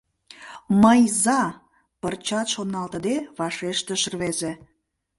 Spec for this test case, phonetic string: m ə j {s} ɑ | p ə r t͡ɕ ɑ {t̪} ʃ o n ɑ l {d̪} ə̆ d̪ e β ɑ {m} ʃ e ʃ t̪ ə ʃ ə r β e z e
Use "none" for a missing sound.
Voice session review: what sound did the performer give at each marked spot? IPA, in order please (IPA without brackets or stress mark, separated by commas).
z, t̪, t̪, none